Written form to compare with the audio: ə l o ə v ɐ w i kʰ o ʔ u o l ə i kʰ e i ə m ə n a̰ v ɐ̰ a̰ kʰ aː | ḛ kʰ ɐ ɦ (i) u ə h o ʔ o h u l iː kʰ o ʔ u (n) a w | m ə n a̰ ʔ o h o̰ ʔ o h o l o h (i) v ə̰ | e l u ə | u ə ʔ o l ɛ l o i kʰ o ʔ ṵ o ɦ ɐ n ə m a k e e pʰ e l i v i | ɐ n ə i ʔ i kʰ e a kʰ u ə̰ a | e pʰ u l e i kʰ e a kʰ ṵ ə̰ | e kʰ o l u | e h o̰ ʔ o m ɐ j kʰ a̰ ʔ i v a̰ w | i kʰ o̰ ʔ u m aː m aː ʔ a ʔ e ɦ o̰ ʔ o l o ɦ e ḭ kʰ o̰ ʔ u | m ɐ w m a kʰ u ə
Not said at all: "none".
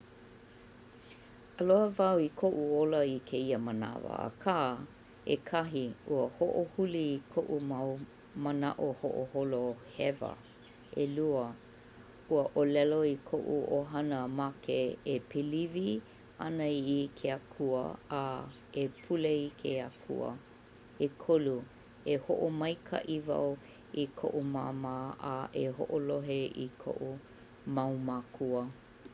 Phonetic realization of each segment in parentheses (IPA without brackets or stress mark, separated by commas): i, m, ɛ